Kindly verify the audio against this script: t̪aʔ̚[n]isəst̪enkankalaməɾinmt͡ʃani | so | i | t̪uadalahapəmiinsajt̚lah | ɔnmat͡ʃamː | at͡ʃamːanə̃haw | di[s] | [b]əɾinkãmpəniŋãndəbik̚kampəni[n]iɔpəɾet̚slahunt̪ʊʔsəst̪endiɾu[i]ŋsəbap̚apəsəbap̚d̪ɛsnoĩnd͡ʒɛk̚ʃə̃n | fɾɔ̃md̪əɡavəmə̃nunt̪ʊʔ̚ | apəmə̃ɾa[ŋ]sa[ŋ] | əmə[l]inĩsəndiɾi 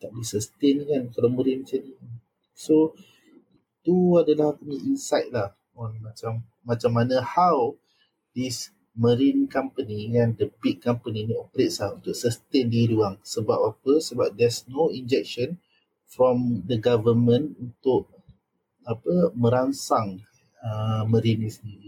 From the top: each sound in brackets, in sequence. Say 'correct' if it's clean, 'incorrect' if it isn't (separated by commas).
incorrect, correct, incorrect, correct, incorrect, incorrect, correct, incorrect